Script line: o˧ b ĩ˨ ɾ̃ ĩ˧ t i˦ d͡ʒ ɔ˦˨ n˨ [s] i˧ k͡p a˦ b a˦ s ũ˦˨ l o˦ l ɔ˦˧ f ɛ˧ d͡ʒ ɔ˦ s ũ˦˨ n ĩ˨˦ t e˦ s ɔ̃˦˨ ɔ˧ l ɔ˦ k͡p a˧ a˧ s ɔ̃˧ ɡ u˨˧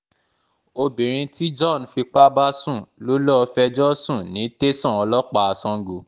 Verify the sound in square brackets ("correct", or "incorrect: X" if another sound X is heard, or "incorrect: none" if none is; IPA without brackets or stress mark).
incorrect: f